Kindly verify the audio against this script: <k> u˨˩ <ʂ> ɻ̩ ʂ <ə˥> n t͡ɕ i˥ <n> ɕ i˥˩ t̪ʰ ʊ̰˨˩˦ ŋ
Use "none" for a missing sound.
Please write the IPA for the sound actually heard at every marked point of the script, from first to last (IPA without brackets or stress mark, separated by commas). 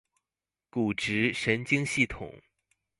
k, ʈ͡ʂ, ə˧˥, ŋ